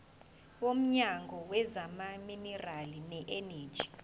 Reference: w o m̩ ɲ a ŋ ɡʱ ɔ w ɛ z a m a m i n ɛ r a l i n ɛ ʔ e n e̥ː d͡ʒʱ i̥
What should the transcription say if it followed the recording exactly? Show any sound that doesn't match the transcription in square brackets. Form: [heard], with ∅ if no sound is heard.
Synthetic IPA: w o m̩ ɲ a ŋ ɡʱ ɔ w ɛ z a m a m i n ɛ r a l i n ɛ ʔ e n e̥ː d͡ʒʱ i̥